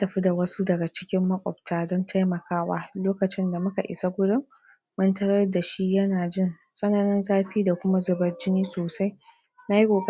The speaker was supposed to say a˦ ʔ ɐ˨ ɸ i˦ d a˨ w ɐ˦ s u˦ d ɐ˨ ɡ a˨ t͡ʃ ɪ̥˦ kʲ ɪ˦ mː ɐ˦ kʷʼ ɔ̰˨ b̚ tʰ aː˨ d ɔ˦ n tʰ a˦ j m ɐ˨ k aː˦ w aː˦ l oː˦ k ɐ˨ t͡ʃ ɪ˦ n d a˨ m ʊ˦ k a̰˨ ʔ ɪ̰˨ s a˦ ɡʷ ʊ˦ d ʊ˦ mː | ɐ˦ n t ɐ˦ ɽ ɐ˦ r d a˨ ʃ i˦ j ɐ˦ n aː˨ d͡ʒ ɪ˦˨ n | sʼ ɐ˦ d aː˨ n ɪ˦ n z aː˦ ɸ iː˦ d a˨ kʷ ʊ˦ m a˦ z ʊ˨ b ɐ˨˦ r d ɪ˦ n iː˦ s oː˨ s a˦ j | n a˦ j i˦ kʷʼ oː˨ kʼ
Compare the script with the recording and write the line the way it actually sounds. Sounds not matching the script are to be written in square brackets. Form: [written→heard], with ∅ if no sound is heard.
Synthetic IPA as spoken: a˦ [ʔ→t] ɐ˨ ɸ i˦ d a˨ w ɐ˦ s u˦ d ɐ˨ ɡ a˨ t͡ʃ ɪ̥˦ kʲ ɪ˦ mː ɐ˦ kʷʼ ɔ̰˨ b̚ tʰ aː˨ d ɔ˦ n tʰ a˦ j m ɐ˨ k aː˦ w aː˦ l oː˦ k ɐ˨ t͡ʃ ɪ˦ n d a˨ m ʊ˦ k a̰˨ ʔ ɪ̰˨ s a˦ ɡʷ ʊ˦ d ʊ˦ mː | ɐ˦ n t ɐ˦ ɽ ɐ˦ r d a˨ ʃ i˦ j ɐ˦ n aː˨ d͡ʒ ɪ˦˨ n | sʼ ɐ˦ [d→n] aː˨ n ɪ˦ n z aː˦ ɸ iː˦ d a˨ kʷ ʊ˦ m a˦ z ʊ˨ b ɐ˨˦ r [d→d͡ʒ] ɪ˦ n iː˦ s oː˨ s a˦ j | n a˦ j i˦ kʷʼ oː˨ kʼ